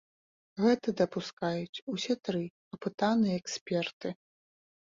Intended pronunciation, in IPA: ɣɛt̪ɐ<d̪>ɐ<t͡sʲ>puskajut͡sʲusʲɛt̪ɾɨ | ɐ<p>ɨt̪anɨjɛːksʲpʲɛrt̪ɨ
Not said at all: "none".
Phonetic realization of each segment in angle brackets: d̪, none, p

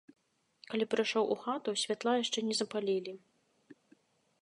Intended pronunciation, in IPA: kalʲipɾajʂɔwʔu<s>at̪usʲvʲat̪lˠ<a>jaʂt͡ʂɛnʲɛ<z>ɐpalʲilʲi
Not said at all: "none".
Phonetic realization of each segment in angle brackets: x, a, z

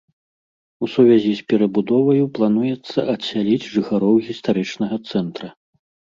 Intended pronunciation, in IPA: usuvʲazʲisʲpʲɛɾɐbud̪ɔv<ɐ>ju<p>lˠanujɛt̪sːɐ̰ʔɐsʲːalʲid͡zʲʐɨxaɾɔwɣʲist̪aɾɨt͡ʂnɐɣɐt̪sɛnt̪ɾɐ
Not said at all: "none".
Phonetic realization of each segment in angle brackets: ɐ, p

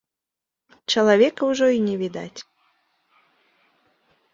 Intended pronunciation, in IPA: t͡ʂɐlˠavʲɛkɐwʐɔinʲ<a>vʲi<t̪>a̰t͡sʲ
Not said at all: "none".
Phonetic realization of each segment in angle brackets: ɛ, d̪

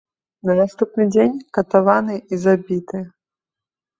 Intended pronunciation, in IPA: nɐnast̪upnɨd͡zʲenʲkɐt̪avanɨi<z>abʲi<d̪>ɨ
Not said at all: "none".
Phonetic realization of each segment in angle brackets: z, t̪

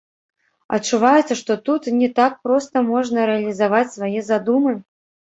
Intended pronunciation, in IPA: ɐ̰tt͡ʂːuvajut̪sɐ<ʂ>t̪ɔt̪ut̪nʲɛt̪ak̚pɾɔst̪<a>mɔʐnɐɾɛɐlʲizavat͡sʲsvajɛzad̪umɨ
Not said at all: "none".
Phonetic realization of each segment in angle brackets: ʂ, ɐ

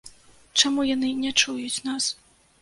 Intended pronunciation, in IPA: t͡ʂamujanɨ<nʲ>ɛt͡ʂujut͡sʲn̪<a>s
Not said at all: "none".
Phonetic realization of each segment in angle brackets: nʲ, a

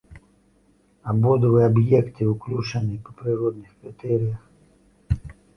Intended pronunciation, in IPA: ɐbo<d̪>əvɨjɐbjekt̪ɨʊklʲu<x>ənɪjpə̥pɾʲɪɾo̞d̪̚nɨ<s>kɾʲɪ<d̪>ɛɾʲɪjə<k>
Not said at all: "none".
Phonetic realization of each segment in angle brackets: d̪, ʂ, x, t̪, x

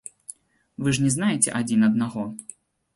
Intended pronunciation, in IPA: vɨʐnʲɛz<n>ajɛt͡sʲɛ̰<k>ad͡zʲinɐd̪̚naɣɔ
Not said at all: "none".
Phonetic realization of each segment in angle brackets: n, ʔ

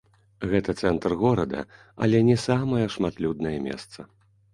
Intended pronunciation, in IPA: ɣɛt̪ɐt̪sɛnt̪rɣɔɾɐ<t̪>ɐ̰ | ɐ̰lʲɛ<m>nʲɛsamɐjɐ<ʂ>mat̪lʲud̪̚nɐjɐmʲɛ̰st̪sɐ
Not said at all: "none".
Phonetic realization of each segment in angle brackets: d̪, none, ʂ

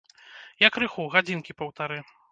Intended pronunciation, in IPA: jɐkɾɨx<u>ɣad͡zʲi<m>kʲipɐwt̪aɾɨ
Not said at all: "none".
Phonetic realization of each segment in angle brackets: u, n

